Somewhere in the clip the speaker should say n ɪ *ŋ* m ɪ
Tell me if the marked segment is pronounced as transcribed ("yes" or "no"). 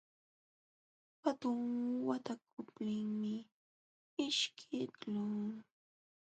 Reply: yes